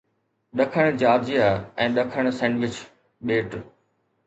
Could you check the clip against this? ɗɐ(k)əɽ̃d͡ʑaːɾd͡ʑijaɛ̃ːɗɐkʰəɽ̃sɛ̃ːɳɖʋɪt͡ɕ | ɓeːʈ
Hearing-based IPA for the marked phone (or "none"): kʰ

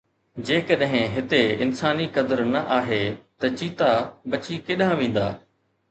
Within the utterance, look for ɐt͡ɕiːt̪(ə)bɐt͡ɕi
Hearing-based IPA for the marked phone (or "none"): a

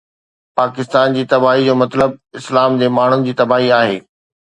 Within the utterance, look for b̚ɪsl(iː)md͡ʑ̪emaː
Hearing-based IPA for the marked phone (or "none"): aː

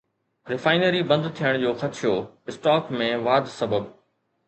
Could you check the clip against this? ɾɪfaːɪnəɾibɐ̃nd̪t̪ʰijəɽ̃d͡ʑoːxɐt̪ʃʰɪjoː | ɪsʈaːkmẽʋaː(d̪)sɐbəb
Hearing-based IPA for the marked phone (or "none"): d̪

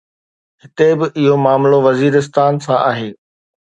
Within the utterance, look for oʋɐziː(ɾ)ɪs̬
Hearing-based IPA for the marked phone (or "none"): ɾ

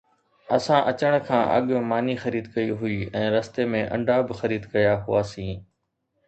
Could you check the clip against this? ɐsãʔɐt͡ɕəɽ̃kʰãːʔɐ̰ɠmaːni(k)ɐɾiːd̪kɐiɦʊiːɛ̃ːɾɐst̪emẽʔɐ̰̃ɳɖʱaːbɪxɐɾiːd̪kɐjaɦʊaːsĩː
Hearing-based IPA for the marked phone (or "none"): x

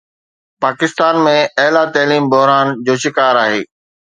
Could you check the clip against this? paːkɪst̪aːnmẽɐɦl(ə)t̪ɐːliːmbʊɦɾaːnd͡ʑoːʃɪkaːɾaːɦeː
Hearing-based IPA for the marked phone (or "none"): a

